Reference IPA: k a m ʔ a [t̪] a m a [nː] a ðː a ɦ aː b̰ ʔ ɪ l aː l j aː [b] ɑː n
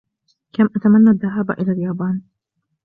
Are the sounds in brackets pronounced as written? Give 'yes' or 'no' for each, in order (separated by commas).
yes, yes, yes